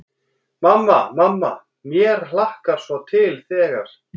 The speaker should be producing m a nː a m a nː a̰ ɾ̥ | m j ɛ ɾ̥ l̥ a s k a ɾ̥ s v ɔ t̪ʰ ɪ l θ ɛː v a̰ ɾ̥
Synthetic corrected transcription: m a mː a m a mː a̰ | m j ɛ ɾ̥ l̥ a h k a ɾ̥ s v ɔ t̪ʰ ɪ l θ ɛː ɣ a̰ ɾ̥